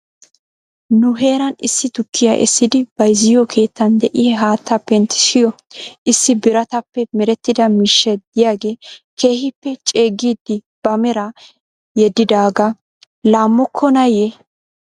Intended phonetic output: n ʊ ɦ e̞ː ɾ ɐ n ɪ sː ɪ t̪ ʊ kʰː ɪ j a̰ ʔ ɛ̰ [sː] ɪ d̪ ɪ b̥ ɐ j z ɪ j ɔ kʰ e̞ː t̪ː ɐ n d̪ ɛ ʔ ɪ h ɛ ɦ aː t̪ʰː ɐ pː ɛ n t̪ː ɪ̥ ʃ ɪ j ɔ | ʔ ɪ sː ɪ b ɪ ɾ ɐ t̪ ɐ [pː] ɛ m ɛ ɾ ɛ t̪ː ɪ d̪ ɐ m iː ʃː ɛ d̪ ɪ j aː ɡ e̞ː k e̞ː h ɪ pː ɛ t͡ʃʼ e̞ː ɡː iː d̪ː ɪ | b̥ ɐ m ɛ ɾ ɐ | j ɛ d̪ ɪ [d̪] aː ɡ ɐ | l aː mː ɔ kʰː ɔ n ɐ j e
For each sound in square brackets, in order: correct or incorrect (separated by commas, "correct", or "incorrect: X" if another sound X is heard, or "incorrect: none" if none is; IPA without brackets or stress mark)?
correct, correct, correct